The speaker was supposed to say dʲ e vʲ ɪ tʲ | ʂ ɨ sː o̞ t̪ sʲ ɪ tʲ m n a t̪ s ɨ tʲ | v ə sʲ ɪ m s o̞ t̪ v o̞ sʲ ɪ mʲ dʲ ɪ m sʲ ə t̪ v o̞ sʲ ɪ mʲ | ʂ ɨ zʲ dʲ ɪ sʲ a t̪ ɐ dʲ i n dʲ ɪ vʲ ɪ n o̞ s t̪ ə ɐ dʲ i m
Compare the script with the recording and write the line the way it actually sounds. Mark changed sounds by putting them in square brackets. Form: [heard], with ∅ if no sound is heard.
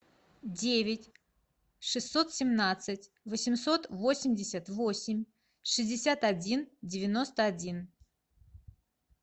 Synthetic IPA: dʲ e vʲ ɪ tʲ | ʂ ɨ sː o̞ t̪ sʲ ɪ [∅] m n a t̪ s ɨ tʲ | v ə sʲ ɪ m s o̞ t̪ v o̞ sʲ ɪ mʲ dʲ ɪ [∅] sʲ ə t̪ v o̞ sʲ ɪ mʲ | ʂ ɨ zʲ dʲ ɪ sʲ a t̪ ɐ dʲ i n dʲ ɪ vʲ ɪ n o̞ s t̪ ə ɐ dʲ i [n]